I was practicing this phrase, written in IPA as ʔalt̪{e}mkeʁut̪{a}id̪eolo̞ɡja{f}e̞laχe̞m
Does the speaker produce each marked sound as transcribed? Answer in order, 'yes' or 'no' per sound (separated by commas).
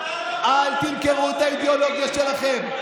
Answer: no, yes, no